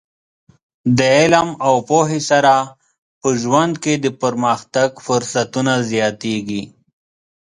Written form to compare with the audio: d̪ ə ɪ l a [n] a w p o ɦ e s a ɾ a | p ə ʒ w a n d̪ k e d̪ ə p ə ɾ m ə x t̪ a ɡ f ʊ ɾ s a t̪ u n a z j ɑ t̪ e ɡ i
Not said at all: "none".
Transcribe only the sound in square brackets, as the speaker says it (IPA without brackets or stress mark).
m